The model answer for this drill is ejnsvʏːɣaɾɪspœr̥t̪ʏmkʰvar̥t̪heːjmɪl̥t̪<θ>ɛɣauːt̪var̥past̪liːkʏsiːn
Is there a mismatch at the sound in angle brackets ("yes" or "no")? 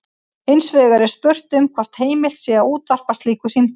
yes